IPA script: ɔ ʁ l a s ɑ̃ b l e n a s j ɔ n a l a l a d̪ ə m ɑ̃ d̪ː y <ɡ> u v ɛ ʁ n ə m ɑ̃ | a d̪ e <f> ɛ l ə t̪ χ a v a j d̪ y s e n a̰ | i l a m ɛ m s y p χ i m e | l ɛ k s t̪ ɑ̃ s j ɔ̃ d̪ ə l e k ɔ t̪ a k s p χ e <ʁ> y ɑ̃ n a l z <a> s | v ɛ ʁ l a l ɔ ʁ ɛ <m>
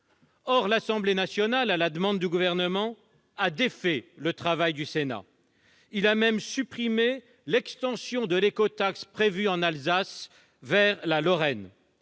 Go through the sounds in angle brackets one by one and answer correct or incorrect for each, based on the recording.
correct, correct, incorrect: v, correct, incorrect: n

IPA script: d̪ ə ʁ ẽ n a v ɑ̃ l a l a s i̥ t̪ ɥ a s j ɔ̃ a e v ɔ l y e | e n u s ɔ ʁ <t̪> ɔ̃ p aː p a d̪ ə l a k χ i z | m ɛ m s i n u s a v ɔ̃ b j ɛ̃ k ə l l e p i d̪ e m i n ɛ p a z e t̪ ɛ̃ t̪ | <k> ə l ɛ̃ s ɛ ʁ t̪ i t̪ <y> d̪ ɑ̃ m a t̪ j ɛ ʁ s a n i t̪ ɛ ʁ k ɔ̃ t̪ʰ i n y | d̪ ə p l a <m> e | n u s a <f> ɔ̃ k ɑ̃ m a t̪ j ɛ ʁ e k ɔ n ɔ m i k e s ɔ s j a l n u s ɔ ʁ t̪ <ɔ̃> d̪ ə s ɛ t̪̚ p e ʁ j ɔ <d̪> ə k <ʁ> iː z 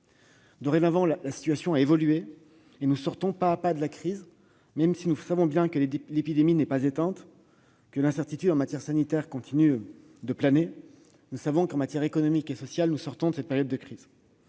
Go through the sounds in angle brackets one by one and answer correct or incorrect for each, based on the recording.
correct, correct, correct, incorrect: n, incorrect: v, correct, incorrect: d̪ː, incorrect: χ

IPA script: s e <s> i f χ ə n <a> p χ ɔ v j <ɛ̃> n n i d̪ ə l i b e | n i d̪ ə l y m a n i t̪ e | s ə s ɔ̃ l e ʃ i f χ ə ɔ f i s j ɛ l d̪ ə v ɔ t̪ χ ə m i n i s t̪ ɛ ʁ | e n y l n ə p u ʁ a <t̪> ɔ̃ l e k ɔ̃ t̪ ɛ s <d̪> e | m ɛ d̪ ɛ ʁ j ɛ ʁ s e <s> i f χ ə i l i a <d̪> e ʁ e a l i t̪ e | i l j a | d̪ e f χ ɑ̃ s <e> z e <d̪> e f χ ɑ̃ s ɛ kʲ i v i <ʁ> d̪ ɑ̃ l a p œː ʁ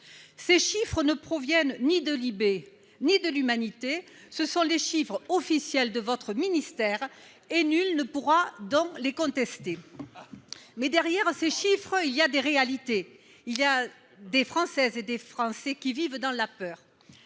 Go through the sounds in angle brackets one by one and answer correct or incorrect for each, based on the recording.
incorrect: ʃ, incorrect: ə, incorrect: ɛ, incorrect: d̪, incorrect: t̪, incorrect: ʃ, correct, incorrect: ɛ, correct, incorrect: v

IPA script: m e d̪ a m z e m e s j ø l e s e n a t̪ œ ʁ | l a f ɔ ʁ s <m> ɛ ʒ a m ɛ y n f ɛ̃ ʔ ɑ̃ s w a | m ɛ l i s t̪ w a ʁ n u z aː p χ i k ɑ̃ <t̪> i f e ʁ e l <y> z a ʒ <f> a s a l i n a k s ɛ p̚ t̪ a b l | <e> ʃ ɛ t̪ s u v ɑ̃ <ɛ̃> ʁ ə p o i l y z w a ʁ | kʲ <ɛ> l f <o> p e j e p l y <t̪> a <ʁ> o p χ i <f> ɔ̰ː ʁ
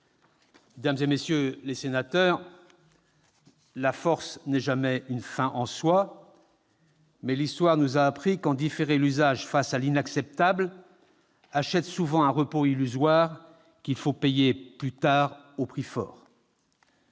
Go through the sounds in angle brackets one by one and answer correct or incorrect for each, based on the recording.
incorrect: n, incorrect: d̪, correct, correct, incorrect: a, correct, incorrect: i, correct, correct, correct, correct

